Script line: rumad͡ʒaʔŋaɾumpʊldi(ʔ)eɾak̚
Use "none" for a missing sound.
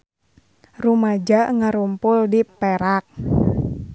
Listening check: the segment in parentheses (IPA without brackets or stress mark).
p